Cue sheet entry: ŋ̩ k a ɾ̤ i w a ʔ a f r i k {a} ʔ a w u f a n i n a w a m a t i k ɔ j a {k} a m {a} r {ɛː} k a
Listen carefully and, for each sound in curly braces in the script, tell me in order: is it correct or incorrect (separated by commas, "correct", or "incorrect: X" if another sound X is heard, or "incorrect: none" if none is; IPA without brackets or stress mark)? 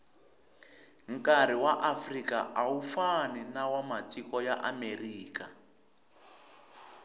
correct, incorrect: ʔ, incorrect: e, incorrect: iː